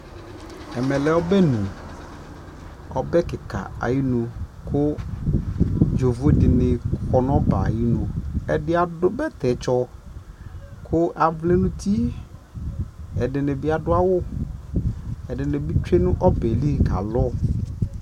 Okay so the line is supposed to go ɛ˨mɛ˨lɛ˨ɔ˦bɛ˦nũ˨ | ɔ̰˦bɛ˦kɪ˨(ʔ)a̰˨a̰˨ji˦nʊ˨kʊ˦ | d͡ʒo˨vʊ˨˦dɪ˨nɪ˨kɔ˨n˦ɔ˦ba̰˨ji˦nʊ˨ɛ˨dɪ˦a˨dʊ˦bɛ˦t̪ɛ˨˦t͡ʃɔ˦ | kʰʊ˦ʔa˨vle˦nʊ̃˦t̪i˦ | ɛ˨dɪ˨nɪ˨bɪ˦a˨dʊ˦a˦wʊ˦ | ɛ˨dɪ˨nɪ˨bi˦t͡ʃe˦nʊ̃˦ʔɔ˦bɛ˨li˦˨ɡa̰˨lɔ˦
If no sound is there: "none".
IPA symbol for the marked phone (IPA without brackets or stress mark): k